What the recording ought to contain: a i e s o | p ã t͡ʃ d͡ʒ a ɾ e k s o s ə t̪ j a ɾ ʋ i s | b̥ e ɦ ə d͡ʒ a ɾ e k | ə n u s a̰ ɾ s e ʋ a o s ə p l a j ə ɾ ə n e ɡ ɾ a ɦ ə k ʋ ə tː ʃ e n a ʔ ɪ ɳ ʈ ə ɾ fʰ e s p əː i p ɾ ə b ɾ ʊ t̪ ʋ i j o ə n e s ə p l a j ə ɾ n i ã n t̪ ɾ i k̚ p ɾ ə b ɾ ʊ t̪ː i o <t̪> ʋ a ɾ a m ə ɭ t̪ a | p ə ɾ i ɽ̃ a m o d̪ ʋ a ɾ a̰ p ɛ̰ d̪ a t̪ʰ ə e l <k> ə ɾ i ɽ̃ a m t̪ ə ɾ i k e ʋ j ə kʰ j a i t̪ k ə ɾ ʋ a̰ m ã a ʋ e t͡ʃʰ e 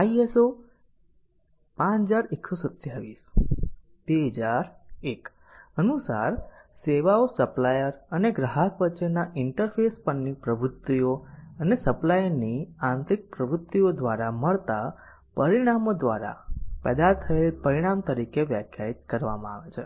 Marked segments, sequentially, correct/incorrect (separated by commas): incorrect, incorrect